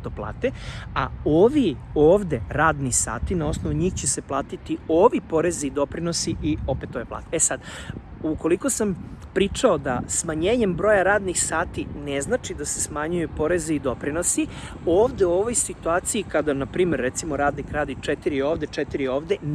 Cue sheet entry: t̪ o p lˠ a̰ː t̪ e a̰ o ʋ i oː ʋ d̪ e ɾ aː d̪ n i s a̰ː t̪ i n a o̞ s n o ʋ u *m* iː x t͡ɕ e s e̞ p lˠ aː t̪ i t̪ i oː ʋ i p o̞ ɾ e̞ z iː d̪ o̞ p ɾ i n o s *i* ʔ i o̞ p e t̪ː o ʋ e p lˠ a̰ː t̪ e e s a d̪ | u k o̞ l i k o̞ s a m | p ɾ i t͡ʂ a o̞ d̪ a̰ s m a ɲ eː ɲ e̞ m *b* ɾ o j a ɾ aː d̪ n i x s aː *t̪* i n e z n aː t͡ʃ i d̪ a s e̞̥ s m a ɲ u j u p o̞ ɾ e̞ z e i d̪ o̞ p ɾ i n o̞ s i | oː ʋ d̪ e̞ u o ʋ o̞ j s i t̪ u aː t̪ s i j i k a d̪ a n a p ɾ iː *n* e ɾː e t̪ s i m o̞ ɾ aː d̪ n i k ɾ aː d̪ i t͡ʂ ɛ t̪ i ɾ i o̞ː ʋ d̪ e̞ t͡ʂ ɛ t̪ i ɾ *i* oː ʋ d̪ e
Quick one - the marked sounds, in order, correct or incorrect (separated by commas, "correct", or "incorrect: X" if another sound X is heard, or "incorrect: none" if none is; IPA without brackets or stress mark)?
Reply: incorrect: ɲ, correct, correct, correct, incorrect: m, correct